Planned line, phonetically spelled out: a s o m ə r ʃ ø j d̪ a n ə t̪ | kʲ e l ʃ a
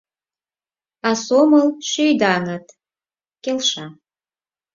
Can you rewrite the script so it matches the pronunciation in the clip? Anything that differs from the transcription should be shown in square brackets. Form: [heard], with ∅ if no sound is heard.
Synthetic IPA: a s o m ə [l] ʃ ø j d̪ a n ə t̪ | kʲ e l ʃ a